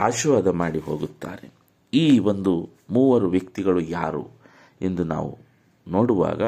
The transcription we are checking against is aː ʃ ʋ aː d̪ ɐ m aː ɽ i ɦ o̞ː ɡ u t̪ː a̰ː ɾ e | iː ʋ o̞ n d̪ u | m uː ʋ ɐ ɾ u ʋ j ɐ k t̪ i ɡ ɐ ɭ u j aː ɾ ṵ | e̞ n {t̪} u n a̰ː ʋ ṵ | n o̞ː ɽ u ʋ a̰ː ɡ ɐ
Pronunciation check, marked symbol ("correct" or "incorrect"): incorrect